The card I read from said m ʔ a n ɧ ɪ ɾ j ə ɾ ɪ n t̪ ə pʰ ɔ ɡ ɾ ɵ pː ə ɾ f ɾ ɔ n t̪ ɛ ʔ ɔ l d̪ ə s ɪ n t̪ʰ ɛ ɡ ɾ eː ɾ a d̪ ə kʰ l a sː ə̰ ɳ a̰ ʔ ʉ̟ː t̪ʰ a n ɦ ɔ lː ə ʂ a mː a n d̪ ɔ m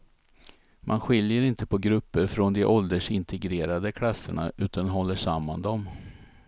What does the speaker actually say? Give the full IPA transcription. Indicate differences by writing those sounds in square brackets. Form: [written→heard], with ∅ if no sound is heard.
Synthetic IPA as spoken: m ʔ a n ɧ ɪ [ɾ→l] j ə ɾ ɪ n t̪ ə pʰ ɔ ɡ ɾ ɵ pː ə ɾ f ɾ ɔ n [t̪→d̪] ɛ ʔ ɔ l d̪ ə [s→ʂ] ɪ n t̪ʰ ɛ ɡ ɾ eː ɾ a d̪ ə kʰ l a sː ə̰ ɳ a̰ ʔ ʉ̟ː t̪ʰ a n ɦ ɔ lː ə ʂ a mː a n d̪ ɔ m